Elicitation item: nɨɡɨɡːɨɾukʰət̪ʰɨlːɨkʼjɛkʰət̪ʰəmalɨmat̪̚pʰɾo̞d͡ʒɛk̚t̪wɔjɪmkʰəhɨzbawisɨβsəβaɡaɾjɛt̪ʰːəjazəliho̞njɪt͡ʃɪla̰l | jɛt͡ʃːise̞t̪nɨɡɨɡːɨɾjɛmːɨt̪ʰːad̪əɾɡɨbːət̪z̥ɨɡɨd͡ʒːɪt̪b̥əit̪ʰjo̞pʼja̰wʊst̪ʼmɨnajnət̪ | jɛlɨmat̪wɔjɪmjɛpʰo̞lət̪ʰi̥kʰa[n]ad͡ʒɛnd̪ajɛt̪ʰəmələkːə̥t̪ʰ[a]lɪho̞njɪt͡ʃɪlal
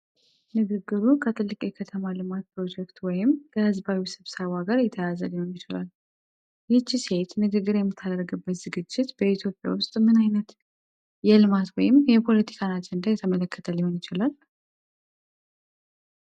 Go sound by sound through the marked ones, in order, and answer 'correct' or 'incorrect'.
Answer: correct, incorrect

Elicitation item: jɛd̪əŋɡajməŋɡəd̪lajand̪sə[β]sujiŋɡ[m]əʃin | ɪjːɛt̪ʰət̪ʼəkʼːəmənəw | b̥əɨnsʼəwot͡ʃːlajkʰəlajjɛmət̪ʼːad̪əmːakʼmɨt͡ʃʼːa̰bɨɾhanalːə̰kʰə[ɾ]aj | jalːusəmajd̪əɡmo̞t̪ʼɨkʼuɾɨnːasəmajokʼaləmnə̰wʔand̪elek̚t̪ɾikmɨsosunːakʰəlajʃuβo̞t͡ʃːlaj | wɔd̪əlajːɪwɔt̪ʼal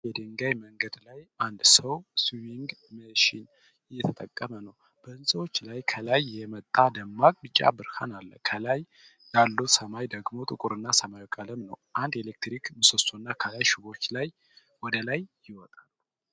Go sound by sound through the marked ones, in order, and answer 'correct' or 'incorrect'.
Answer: incorrect, correct, incorrect

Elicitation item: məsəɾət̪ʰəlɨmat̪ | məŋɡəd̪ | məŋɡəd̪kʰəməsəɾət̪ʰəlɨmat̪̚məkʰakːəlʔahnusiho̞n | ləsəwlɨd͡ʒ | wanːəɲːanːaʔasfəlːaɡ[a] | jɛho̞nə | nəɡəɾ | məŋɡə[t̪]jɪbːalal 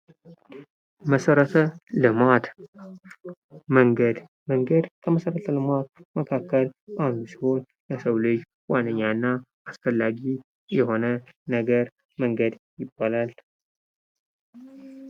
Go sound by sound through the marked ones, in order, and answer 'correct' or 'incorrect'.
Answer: incorrect, incorrect

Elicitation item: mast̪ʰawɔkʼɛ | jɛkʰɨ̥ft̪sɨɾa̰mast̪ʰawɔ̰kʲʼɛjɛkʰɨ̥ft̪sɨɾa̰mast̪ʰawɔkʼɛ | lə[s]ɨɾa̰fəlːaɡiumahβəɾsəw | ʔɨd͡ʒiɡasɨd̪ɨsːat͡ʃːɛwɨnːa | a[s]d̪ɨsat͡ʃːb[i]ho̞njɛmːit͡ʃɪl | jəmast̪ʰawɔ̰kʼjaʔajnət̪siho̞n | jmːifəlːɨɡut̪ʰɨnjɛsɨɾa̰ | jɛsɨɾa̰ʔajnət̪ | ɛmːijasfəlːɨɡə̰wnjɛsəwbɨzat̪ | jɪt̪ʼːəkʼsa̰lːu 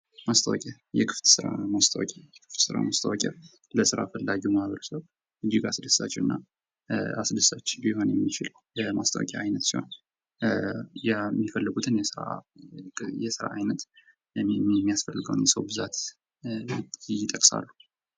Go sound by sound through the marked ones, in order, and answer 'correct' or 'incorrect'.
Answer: correct, correct, correct

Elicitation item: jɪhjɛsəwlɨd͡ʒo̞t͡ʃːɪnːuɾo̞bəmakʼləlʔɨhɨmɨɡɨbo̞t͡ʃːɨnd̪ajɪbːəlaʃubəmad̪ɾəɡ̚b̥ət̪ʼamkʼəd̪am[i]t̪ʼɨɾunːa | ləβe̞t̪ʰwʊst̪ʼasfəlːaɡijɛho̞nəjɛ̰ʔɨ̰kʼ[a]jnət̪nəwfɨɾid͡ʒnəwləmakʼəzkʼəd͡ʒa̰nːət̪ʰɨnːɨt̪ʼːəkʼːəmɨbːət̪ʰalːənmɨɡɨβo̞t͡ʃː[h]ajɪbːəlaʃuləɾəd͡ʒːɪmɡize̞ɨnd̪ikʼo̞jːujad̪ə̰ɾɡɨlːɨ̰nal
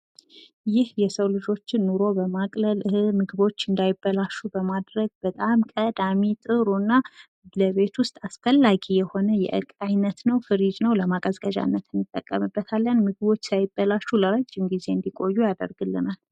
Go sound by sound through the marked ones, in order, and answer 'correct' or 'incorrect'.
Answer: correct, correct, incorrect

